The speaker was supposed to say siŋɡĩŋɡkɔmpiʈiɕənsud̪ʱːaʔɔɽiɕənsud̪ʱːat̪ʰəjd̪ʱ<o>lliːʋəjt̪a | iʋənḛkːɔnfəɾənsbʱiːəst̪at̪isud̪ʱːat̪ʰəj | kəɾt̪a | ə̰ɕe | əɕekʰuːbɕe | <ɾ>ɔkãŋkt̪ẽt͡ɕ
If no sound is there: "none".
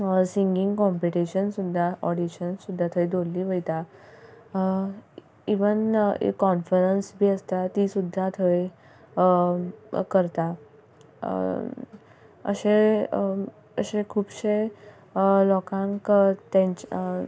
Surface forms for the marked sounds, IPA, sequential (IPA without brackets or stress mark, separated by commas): o, l